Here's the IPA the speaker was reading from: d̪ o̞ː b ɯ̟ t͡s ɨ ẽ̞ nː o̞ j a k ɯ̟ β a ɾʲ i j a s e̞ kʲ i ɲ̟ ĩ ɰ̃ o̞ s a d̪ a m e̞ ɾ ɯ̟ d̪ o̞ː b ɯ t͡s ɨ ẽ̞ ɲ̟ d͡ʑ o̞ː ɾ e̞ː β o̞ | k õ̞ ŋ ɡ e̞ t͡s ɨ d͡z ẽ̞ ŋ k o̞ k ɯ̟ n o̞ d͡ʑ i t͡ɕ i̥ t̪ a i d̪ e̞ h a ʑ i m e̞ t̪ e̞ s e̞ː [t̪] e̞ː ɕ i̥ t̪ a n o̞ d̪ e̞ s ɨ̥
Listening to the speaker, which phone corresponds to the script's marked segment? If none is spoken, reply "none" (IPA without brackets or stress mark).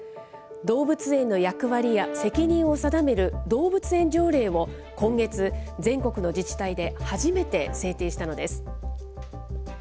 t̪